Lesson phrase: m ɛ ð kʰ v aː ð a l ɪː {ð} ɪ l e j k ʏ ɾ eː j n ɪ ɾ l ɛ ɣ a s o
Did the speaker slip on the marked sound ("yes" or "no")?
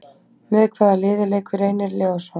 no